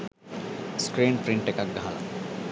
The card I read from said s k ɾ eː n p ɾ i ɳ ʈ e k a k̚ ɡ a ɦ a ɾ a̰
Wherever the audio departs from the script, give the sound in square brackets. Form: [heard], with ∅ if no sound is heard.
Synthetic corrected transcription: s k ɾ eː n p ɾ i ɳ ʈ e k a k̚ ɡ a ɦ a [l] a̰